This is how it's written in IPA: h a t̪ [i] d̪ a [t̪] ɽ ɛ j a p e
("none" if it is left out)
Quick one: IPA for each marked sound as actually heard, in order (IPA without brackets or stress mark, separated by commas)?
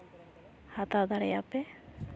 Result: a, none